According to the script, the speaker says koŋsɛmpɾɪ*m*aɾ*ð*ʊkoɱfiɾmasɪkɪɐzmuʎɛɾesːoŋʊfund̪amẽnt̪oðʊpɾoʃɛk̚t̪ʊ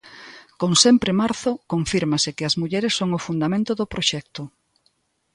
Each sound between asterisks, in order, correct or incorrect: correct, incorrect: θ

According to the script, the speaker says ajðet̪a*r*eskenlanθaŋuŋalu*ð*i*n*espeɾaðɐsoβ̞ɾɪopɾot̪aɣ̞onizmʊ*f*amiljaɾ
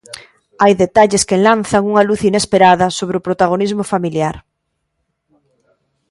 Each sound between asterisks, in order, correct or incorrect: incorrect: ʎ, incorrect: θ, correct, correct

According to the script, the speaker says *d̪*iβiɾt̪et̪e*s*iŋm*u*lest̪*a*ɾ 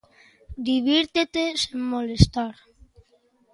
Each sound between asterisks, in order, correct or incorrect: correct, correct, incorrect: o, correct

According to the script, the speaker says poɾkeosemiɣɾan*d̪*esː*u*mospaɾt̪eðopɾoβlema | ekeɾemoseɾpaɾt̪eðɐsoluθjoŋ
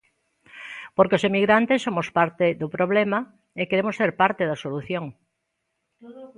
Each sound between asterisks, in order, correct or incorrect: incorrect: t̪, incorrect: o

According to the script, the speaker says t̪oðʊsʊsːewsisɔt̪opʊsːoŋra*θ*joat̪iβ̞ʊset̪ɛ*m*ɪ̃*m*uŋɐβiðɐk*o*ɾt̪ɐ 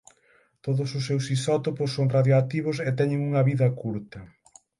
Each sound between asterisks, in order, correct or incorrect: incorrect: ð, incorrect: ɲ, incorrect: ŋ, incorrect: u

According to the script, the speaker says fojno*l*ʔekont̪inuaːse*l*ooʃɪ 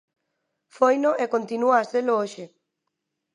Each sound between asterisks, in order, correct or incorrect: incorrect: none, correct

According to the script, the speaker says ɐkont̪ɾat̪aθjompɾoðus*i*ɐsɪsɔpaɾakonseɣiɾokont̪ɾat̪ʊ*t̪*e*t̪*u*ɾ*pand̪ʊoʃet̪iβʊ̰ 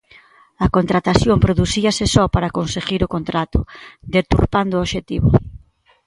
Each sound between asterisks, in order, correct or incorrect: correct, incorrect: d̪, correct, correct

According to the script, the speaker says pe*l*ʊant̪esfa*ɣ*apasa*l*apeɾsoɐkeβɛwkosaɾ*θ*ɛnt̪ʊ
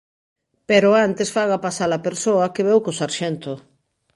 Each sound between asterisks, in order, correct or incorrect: incorrect: ɾ, correct, correct, incorrect: ʃ

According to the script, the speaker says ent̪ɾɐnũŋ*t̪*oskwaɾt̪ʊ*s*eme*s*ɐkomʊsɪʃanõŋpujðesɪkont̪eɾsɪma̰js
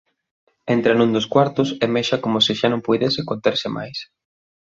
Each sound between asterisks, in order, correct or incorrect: incorrect: d̪, correct, incorrect: ʃ

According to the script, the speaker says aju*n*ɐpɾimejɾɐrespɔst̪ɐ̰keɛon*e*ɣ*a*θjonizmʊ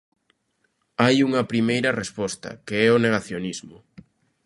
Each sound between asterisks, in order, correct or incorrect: incorrect: ŋ, correct, correct

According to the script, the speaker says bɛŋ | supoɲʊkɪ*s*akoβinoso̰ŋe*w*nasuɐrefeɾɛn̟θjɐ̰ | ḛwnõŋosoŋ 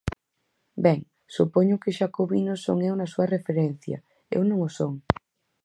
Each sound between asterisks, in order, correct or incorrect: incorrect: ʃ, correct

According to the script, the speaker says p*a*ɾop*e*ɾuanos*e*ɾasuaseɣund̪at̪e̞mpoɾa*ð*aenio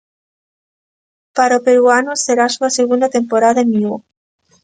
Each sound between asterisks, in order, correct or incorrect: correct, correct, correct, correct

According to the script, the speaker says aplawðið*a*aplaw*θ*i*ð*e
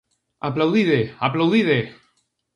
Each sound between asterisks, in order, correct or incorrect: incorrect: e, incorrect: ð, correct

